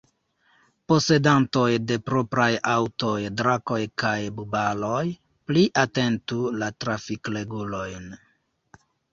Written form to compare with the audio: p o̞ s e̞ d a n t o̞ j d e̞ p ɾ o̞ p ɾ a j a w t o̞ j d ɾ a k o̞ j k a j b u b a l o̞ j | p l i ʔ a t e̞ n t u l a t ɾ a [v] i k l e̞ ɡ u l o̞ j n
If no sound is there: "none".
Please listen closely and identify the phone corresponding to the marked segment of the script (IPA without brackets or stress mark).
f